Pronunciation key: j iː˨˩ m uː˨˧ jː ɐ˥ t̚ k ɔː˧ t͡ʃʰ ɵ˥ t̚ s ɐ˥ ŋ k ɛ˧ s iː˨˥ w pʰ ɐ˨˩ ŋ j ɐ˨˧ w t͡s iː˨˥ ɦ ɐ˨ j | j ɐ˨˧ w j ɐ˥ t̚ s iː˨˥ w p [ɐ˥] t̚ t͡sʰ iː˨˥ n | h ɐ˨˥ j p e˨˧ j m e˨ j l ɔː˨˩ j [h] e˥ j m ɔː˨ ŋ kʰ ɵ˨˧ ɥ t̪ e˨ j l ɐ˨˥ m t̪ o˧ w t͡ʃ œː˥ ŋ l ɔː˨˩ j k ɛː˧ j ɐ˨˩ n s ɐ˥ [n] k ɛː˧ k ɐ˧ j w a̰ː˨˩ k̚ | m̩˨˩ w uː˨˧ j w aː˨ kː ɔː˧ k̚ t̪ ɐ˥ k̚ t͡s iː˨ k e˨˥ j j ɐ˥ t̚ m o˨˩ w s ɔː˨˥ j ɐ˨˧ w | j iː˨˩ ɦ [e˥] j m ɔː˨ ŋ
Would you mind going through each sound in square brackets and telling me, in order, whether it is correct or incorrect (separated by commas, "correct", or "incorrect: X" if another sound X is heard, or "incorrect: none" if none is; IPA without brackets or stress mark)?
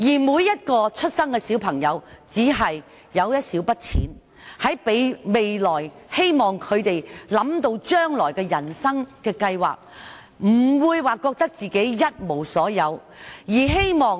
correct, correct, incorrect: ŋ, correct